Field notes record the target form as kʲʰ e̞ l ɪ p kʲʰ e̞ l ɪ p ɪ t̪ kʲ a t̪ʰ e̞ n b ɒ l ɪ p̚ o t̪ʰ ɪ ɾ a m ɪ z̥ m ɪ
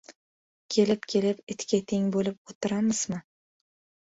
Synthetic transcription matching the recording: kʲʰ e̞ l ɪ p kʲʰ e̞ l ɪ p ɪ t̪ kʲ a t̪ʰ e̞ ŋ b o l ɪ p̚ o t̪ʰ ɪ ɾ a m ɪ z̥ m ɪ